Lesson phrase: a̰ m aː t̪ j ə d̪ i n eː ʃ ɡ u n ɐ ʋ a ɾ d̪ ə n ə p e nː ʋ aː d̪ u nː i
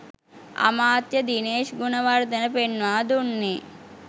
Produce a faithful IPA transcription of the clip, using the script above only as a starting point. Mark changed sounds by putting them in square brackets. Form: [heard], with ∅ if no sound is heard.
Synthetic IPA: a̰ m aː t̪ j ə d̪ i n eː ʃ ɡ u n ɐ ʋ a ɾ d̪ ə n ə p e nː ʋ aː d̪ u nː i